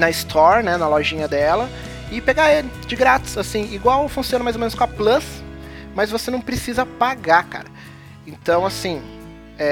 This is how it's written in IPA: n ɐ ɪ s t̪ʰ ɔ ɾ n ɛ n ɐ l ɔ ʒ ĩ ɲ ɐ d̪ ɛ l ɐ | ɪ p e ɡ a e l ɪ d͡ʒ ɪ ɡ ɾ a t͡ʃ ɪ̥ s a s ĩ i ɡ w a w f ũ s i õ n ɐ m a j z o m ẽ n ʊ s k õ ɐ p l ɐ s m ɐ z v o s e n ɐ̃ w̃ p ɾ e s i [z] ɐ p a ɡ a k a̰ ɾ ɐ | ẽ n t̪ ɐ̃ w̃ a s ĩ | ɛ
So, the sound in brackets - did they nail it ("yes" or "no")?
yes